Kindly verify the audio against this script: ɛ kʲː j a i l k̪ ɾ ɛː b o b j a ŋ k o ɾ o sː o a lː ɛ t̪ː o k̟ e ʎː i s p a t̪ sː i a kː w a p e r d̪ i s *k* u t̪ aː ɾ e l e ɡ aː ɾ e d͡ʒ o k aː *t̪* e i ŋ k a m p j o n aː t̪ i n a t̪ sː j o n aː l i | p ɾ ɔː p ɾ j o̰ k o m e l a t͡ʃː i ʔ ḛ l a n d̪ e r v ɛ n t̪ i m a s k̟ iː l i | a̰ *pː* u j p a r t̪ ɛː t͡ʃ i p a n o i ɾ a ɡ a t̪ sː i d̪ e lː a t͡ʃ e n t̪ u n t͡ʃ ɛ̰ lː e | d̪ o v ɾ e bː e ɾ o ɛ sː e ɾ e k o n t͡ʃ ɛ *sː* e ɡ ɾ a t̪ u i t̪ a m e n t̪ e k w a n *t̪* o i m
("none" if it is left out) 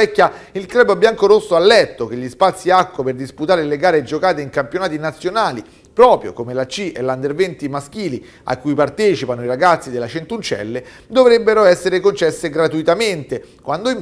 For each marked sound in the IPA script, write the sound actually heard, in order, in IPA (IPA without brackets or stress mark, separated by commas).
p, t̪, kː, sː, d̪